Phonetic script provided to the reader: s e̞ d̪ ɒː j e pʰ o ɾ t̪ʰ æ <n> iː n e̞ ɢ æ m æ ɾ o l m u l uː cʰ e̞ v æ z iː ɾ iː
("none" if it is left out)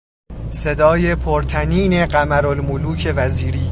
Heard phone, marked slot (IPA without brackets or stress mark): n